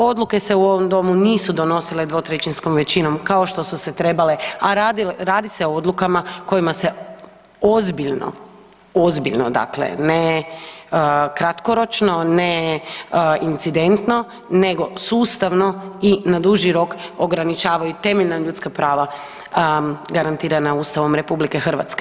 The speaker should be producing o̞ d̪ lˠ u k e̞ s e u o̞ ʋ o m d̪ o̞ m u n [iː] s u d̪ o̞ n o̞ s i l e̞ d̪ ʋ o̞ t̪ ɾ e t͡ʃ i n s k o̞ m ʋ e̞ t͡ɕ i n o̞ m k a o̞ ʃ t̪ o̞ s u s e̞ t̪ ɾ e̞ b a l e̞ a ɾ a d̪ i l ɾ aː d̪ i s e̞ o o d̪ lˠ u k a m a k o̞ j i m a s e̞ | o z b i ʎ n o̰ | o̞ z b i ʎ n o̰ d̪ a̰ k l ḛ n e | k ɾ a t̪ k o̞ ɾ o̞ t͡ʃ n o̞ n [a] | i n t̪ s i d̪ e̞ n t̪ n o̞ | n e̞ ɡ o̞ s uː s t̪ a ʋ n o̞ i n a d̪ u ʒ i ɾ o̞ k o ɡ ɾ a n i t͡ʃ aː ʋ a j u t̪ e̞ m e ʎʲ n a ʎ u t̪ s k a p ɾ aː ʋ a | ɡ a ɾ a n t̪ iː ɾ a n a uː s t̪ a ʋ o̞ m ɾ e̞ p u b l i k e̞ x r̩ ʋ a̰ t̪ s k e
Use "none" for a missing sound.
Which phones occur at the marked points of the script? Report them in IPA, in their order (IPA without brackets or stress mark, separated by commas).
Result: iː, e